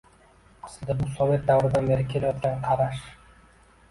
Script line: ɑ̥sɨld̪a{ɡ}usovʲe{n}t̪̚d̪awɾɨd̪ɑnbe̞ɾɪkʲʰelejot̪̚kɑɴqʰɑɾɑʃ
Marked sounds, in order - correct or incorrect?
incorrect, incorrect

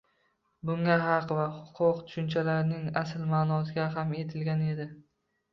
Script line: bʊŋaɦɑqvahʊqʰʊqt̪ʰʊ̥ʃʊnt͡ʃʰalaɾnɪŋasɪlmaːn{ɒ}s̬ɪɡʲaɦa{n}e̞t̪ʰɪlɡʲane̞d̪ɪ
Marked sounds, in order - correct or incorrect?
correct, incorrect

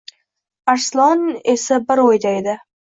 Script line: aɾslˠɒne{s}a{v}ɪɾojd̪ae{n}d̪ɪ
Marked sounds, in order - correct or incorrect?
correct, incorrect, incorrect

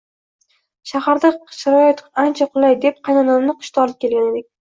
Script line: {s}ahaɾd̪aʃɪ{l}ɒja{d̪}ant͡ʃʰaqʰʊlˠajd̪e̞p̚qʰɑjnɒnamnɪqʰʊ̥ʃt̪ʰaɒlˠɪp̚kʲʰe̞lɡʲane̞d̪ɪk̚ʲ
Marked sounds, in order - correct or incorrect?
incorrect, incorrect, incorrect

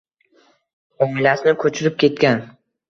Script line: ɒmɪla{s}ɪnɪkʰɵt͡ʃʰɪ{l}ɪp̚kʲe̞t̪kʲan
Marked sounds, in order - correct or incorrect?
correct, incorrect

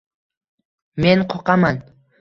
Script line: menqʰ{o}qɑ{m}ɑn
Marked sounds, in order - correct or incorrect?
correct, correct

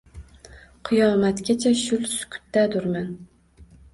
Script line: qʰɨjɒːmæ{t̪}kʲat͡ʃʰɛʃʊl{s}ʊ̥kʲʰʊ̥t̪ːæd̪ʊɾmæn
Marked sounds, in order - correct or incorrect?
correct, correct

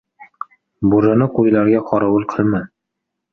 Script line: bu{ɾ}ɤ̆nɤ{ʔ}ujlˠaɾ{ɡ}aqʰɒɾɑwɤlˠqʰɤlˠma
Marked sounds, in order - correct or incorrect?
correct, incorrect, correct

